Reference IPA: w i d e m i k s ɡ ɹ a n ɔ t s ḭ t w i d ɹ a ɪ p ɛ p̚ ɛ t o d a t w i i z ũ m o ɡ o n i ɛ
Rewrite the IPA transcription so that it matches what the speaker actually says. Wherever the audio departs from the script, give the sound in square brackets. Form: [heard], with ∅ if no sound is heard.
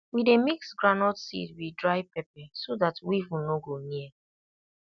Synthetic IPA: w i d e m i k s ɡ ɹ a n ɔ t s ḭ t w i d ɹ a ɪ p ɛ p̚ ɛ [s] o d a t w i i [v] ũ [n] o ɡ o n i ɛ